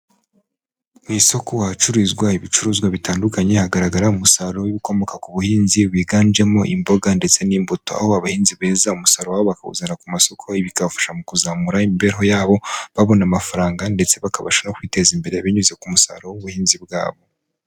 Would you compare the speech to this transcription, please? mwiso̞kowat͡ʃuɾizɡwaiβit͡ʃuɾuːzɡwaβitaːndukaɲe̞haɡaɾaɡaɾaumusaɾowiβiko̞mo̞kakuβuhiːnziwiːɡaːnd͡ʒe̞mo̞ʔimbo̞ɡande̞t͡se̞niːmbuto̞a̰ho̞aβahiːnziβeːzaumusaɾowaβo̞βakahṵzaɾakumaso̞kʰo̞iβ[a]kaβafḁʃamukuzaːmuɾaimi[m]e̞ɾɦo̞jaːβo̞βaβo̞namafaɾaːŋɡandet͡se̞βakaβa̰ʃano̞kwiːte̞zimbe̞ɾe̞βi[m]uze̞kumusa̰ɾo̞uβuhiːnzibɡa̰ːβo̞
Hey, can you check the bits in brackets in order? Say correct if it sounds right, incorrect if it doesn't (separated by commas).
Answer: incorrect, incorrect, incorrect